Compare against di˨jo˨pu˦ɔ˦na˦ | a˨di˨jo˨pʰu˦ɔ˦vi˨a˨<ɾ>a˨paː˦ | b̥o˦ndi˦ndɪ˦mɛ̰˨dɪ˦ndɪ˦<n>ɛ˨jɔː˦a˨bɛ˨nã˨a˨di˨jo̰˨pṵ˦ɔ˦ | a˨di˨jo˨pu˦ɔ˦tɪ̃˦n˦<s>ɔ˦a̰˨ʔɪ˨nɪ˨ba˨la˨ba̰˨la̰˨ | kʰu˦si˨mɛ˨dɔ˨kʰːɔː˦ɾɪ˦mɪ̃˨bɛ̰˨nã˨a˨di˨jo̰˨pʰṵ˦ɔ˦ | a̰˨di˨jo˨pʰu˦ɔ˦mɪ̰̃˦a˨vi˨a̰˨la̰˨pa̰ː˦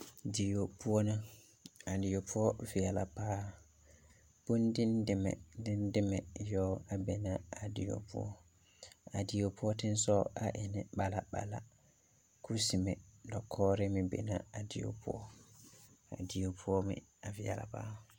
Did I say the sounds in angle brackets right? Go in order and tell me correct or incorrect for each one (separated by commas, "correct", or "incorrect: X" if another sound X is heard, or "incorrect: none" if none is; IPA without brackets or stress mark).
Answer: incorrect: l, incorrect: m, correct